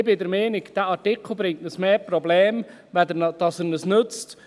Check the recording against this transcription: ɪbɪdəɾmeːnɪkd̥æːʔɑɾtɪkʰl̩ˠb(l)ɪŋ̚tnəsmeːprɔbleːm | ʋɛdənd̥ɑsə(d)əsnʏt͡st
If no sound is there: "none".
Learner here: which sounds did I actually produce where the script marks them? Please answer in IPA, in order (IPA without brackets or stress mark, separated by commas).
ɾ, n